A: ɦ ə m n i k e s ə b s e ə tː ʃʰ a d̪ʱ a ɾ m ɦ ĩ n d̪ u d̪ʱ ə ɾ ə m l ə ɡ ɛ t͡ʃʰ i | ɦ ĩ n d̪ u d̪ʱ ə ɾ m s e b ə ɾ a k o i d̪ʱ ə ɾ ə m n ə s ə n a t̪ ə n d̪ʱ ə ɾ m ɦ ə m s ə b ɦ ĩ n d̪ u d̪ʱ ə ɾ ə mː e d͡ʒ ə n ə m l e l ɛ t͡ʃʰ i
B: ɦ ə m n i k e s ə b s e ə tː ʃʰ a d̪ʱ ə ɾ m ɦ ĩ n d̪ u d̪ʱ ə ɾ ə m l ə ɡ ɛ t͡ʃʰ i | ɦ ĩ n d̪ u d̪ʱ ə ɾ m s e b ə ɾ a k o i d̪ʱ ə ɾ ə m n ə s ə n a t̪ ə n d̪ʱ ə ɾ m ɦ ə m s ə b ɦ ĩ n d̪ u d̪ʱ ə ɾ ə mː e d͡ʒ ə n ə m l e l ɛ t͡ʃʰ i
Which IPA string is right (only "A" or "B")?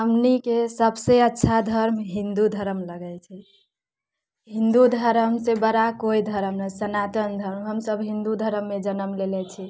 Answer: B